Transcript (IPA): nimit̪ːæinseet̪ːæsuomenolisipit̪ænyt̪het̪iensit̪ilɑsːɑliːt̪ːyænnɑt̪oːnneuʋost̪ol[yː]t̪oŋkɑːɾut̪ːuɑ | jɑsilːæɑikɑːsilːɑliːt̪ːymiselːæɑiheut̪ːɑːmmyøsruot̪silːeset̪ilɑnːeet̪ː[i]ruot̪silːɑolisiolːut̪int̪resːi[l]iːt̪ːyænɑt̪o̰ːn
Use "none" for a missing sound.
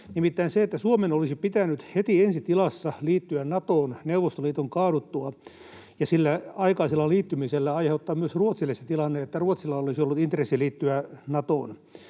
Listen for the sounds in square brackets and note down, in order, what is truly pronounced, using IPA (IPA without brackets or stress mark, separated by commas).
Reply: iː, æ, l